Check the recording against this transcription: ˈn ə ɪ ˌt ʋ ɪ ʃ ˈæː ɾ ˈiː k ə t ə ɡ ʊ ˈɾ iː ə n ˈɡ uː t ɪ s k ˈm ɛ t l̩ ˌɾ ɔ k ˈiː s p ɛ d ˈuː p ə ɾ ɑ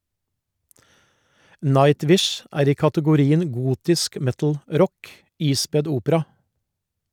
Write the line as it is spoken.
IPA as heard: ˈn ɑ ɪ ˌt ʋ ɪ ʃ ˈæː ɾ ˈiː k ɑ t ə ɡ ʊ ˈɾ iː ə n ˈɡ uː t ɪ s k ˈm ɛ t l̩ ˌɾ ɔ k ˈiː s p ɛ d ˈuː p ə ɾ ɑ